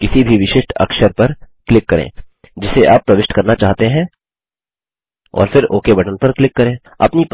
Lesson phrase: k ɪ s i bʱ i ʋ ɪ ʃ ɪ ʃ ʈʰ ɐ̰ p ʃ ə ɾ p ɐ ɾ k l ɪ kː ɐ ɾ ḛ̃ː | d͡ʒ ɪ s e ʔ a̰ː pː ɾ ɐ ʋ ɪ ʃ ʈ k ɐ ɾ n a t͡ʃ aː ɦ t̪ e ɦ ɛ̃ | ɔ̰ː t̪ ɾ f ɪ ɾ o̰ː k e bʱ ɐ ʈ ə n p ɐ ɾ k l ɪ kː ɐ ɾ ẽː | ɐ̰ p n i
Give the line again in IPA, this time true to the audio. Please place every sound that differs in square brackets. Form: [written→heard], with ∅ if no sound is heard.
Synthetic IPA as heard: k ɪ s i bʱ i ʋ ɪ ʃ ɪ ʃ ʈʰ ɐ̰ [p→k] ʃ ə ɾ p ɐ ɾ k l ɪ kː ɐ ɾ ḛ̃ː | d͡ʒ ɪ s e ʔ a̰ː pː ɾ ɐ ʋ ɪ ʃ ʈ k ɐ ɾ n a t͡ʃ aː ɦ t̪ e ɦ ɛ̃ | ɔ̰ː [t̪→∅] ɾ f ɪ ɾ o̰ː k e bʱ ɐ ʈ ə n p ɐ ɾ k l ɪ kː ɐ ɾ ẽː | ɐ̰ p n i